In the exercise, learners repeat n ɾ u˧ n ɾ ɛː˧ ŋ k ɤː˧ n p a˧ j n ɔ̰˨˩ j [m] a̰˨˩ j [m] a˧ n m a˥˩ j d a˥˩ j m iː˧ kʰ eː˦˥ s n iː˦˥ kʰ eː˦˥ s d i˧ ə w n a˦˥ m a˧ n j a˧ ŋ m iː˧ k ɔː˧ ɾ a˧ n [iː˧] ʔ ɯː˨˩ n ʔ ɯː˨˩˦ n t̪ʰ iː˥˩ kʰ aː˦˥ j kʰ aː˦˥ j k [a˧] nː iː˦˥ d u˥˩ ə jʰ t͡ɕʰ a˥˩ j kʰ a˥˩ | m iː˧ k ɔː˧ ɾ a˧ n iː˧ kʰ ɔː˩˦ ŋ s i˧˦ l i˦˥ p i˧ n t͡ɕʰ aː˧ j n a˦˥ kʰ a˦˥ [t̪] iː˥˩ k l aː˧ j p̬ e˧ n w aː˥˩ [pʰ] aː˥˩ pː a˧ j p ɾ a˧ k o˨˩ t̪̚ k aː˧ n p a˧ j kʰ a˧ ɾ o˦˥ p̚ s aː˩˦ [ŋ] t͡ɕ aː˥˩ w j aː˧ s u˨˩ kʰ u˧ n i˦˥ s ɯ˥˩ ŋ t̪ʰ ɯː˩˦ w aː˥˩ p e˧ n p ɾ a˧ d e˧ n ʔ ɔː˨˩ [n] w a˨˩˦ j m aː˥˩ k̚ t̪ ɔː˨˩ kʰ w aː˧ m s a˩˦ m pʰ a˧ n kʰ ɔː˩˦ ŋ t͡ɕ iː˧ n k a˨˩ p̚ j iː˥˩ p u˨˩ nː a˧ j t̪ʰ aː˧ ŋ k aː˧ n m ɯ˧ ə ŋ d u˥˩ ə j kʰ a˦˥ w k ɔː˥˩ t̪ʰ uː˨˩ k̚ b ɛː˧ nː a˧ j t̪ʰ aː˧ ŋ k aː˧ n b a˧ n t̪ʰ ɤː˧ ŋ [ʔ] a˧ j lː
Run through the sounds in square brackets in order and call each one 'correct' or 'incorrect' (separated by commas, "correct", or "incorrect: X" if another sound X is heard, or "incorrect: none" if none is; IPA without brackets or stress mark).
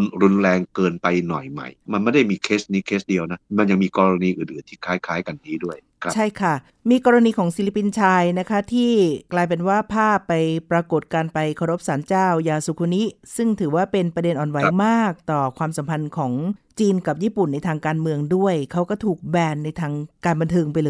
correct, correct, correct, correct, incorrect: t̪ʰ, correct, incorrect: n, correct, incorrect: p